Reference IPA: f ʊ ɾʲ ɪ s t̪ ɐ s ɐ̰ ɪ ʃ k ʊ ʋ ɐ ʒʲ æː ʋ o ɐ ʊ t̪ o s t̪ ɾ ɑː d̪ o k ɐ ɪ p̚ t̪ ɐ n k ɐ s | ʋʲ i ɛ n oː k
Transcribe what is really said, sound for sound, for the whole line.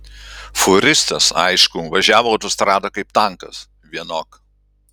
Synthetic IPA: f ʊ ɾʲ ɪ s t̪ ɐ s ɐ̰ ɪ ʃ k ʊ ʋ ɐ ʒʲ æː ʋ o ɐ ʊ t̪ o s t̪ ɾ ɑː d̪ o k ɐ ɪ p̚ t̪ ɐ ŋ k ɐ s | ʋʲ i ɛ n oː k